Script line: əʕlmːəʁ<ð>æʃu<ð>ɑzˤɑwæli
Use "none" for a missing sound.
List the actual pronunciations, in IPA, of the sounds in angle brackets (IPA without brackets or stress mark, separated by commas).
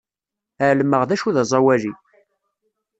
ð, ð